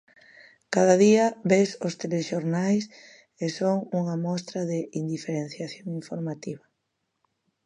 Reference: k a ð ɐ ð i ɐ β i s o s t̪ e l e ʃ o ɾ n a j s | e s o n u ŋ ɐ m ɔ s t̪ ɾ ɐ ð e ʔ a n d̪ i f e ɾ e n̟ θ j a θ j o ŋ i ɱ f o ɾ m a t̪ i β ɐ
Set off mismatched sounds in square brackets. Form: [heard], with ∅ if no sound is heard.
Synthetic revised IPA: k a ð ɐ ð i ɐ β [e] s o s t̪ e l e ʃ o ɾ n a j s | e s o [ŋ] u ŋ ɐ m ɔ s t̪ ɾ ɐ ð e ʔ [i] n d̪ i f e ɾ e n̟ θ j a θ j o ŋ i ɱ f o ɾ m a t̪ i β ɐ